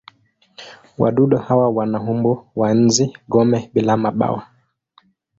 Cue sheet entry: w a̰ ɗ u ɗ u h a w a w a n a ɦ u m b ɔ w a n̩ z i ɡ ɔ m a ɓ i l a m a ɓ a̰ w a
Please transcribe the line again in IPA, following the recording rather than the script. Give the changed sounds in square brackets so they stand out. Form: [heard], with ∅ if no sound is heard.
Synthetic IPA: w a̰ ɗ u ɗ [ɔ] h a w a w a n a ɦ u m b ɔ w a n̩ z i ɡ ɔ m [ɛ] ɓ i l a m a ɓ a̰ w a